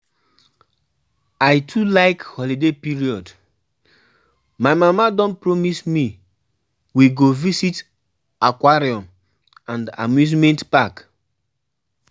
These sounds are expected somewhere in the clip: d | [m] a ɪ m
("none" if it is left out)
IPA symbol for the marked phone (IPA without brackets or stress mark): m